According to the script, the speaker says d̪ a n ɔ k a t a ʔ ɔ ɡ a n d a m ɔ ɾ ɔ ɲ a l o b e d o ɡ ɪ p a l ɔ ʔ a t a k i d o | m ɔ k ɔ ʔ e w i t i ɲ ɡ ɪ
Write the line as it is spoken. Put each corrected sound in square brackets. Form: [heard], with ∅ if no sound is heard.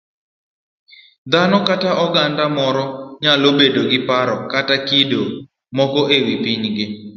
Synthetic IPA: d̪ a n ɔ k a t a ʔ ɔ ɡ a n d a m ɔ ɾ ɔ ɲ a l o b e d o ɡ ɪ p a [ɾ] ɔ [k] a t a k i d o | m ɔ k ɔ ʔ e w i [p] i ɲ ɡ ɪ